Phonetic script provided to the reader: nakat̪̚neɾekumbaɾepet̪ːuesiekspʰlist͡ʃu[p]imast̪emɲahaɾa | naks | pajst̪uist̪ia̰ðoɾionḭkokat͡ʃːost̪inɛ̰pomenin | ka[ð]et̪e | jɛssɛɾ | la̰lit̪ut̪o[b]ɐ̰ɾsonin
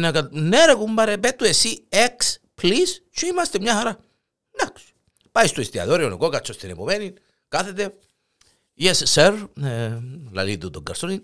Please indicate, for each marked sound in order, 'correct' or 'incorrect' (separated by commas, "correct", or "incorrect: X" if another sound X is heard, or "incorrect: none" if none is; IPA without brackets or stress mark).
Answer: incorrect: none, incorrect: θ, incorrect: ɡ